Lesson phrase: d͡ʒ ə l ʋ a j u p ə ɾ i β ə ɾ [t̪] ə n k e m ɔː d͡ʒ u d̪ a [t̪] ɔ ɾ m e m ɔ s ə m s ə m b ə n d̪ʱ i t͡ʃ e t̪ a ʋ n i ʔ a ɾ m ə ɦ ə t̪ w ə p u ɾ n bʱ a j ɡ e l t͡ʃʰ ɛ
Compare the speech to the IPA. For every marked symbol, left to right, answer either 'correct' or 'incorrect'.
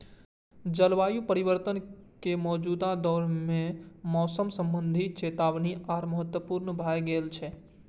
correct, incorrect: d̪

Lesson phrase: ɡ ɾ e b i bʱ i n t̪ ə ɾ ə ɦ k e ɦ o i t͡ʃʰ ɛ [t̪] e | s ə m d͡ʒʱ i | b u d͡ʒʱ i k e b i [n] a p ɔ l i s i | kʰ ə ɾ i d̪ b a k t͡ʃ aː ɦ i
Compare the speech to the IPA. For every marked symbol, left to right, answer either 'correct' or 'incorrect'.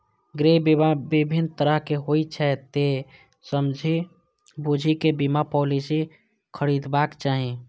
correct, incorrect: m

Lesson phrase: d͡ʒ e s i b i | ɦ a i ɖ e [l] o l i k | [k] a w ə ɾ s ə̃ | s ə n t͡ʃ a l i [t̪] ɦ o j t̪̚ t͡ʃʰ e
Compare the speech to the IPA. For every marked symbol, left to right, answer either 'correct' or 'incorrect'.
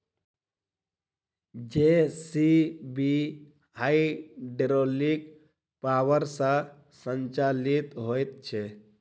incorrect: ɾ, incorrect: p, correct

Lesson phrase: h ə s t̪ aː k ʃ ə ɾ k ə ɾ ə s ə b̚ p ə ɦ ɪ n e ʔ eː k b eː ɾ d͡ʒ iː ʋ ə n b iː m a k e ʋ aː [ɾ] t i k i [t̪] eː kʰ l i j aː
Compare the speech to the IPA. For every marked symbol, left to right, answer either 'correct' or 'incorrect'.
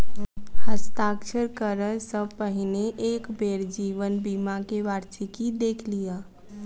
correct, incorrect: d̪

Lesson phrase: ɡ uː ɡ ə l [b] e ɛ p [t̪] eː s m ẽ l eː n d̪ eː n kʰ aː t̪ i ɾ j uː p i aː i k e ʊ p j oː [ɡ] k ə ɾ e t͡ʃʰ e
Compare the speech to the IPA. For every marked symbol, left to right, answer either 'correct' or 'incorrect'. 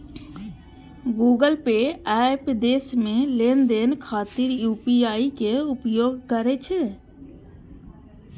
incorrect: p, incorrect: d̪, correct

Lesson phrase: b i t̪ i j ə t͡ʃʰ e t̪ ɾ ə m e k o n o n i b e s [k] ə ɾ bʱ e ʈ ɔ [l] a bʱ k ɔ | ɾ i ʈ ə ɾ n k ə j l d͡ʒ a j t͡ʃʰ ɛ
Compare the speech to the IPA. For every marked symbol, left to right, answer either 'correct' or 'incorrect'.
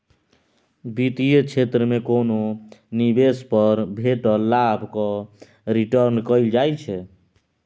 incorrect: p, correct

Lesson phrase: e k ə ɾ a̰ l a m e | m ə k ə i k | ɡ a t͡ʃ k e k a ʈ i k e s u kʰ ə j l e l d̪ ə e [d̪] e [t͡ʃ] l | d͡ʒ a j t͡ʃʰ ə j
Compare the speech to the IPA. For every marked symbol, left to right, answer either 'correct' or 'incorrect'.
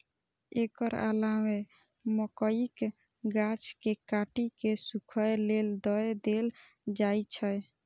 correct, incorrect: none

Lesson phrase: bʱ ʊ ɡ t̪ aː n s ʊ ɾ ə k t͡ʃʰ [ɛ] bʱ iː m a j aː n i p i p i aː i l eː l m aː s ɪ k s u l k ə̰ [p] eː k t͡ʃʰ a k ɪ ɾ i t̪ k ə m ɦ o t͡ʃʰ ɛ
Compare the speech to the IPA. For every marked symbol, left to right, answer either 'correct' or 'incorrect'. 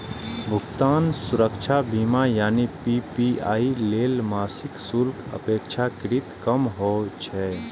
incorrect: a, correct

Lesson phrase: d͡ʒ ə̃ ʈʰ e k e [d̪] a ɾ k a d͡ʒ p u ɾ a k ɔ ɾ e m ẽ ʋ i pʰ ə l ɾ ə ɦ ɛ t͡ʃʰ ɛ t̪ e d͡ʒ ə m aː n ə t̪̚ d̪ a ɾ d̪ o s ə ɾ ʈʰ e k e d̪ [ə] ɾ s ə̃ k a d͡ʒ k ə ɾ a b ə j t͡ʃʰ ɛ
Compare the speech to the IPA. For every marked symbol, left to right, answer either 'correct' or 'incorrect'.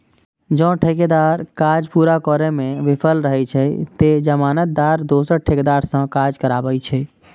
correct, incorrect: a

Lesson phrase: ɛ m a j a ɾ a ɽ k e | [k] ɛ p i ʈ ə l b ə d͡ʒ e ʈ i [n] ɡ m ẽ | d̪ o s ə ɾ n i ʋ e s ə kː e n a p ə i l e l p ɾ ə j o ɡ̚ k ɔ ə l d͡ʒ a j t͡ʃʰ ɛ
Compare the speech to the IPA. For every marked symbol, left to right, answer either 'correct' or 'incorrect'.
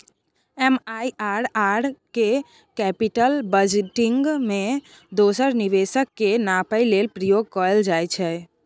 correct, incorrect: ŋ

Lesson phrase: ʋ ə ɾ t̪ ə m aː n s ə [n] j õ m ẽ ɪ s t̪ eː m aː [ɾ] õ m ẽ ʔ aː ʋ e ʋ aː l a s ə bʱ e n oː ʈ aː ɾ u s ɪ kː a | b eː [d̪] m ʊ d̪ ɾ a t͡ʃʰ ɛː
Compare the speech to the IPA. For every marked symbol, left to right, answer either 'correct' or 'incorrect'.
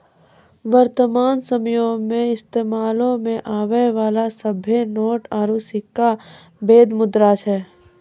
incorrect: m, incorrect: l, correct

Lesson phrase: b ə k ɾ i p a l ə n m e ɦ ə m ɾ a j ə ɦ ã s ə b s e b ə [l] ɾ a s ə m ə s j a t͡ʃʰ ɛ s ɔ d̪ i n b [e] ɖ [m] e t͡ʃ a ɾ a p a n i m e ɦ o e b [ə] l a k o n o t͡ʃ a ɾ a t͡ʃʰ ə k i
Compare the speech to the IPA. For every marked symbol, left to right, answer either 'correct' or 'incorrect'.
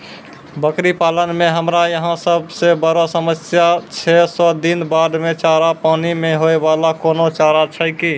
incorrect: none, incorrect: a, correct, incorrect: a

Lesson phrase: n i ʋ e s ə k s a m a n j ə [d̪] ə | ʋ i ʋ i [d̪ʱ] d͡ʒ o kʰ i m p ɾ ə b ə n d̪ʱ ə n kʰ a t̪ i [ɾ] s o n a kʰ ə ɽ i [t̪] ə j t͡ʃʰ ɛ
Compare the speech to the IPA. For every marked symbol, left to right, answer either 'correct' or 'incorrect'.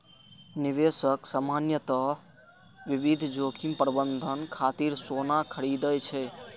incorrect: t̪, correct, correct, incorrect: d̪

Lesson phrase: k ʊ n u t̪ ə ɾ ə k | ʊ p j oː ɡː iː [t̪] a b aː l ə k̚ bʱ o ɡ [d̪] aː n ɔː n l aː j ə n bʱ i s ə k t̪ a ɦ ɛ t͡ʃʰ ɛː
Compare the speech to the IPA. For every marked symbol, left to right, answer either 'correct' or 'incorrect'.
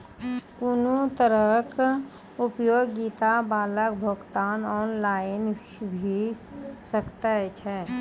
correct, incorrect: t̪

